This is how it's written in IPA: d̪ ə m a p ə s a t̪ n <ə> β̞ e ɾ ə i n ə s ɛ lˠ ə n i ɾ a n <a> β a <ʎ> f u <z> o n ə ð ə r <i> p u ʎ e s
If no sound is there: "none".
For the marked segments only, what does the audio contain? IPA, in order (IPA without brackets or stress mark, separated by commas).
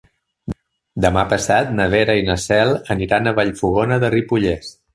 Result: ə, ə, ʎ, ɣ, i